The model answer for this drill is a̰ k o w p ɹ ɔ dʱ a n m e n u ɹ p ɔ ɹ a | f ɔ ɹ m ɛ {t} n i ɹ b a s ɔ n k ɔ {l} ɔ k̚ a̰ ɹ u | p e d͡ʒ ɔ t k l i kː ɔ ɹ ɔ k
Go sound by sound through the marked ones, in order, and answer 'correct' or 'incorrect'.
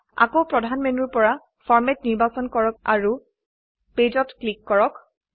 correct, incorrect: ɹ

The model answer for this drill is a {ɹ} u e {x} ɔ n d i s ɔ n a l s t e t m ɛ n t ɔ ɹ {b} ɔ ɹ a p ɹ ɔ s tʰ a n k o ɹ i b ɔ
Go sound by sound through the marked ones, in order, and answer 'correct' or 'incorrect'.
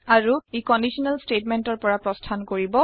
correct, incorrect: k, incorrect: p

